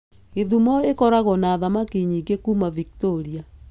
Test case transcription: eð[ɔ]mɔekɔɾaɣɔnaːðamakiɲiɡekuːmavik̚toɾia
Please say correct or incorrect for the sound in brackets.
incorrect